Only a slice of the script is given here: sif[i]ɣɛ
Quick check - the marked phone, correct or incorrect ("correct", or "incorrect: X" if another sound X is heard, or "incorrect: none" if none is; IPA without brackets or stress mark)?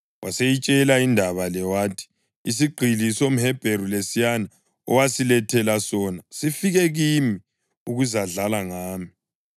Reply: correct